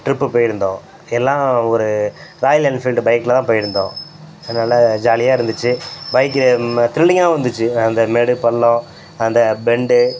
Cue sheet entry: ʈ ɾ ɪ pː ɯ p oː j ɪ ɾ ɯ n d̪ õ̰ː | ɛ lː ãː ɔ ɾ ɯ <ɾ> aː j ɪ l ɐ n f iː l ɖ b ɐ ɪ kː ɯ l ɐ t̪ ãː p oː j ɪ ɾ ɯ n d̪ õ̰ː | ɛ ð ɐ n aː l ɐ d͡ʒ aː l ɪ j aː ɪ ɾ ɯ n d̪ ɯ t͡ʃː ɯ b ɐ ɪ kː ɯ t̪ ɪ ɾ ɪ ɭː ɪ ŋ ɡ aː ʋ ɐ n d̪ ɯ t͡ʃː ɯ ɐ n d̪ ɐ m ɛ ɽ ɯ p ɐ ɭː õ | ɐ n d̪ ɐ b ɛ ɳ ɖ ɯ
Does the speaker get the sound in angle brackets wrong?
no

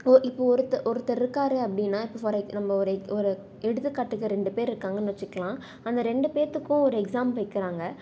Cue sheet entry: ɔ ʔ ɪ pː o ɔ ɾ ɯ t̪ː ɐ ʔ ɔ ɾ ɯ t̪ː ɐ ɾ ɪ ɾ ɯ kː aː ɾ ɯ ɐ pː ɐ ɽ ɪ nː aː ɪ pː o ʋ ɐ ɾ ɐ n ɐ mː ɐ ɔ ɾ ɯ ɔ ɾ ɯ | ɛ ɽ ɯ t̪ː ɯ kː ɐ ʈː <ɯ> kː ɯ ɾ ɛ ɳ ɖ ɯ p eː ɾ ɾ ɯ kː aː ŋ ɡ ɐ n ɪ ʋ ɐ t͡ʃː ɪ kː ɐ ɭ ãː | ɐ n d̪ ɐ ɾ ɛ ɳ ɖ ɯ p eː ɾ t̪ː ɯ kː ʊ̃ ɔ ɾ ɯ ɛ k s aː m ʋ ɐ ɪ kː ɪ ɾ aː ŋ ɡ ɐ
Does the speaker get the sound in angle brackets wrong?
no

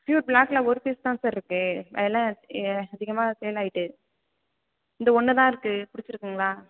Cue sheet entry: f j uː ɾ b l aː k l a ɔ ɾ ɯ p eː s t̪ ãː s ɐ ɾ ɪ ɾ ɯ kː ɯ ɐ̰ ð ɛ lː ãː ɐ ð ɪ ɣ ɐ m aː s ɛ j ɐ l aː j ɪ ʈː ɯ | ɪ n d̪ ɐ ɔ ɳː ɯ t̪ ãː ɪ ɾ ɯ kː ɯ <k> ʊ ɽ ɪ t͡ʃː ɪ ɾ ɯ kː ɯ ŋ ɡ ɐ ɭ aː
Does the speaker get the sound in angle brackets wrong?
yes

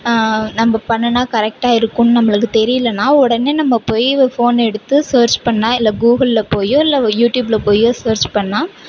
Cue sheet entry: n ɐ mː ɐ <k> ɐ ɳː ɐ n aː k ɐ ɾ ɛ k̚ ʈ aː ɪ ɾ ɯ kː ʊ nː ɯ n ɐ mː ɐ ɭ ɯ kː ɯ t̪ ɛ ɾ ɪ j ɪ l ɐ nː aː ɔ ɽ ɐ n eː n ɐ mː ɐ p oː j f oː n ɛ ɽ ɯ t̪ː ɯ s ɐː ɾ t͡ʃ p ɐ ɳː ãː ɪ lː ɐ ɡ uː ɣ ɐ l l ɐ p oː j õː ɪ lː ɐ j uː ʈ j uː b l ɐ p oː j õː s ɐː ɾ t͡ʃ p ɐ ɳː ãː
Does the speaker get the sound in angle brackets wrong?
yes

